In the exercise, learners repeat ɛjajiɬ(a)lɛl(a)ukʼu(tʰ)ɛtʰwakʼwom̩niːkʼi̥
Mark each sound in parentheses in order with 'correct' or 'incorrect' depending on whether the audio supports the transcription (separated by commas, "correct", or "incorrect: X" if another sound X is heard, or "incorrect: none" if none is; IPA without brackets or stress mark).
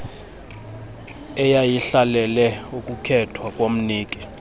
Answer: correct, incorrect: ɛ, incorrect: kʰ